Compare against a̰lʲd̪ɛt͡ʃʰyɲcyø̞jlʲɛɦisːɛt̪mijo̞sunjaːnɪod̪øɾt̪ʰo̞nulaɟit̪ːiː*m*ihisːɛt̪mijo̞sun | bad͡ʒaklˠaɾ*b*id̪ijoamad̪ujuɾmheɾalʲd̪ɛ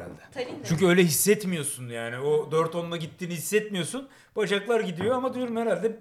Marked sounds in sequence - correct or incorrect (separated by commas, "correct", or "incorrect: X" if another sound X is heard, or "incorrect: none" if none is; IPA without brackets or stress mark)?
incorrect: n, incorrect: ɟ